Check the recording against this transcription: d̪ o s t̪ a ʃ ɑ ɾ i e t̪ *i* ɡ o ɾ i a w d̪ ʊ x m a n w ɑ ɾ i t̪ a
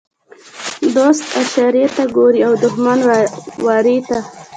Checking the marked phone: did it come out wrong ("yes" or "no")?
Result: yes